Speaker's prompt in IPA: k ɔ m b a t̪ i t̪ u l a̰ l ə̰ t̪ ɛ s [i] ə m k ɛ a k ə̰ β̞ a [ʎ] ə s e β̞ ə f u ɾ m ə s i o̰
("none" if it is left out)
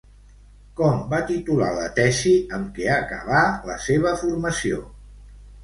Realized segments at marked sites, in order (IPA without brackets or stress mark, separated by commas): i, l